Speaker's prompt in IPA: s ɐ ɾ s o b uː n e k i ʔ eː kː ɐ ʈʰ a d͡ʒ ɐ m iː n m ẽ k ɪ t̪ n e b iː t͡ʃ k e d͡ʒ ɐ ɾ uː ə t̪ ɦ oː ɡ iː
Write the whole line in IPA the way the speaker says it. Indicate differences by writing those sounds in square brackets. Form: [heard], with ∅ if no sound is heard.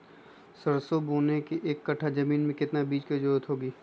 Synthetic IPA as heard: s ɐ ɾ s o b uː n e k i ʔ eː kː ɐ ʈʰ a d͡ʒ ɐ m iː n m ẽ k ɪ t̪ n [a] b iː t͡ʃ k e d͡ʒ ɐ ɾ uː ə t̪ ɦ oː ɡ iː